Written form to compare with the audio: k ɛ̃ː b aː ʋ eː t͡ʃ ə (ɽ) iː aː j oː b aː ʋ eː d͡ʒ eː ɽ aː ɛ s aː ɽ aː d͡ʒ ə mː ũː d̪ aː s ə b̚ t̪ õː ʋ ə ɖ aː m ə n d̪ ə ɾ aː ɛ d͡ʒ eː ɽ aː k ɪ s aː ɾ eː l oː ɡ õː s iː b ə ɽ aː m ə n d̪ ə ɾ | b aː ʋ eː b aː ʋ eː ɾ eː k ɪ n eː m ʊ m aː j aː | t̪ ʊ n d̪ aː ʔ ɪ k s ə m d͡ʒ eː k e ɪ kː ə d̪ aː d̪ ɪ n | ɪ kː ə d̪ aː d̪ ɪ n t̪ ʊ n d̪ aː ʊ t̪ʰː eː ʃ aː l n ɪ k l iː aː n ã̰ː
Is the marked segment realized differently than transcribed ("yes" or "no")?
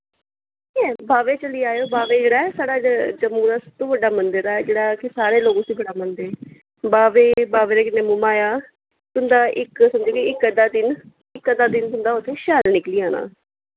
yes